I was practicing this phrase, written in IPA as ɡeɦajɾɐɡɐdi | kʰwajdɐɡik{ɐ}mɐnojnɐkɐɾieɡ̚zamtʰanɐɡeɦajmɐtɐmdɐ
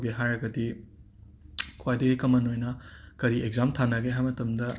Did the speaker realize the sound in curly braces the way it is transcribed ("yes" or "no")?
yes